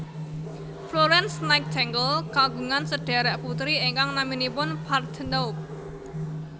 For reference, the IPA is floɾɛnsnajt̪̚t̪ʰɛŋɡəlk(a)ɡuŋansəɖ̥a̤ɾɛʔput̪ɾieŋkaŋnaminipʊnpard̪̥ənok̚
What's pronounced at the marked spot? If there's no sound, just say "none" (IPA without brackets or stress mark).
a